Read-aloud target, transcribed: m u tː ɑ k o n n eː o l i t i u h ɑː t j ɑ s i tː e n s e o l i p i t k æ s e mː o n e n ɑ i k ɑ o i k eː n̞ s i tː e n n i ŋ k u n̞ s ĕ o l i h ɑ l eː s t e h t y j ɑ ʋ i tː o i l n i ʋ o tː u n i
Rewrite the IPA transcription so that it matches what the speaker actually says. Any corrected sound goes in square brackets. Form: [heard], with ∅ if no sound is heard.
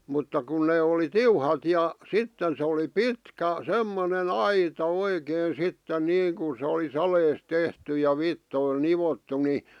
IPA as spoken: m u tː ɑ k [u] n n eː o l i t i u h [ɑ] t j ɑ s i tː e n s e o l i p i t k æ s e mː o n e n ɑ i [t] ɑ o i k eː n̞ s i tː e n n [iː] ŋ k u n̞ s ĕ o l i [s] ɑ l eː s t e h t y j ɑ ʋ i tː o i l n i ʋ o tː u n i